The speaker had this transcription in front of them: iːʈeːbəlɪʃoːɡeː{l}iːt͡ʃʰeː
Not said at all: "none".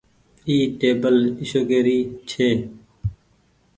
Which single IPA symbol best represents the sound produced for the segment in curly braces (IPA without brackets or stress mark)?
ɾ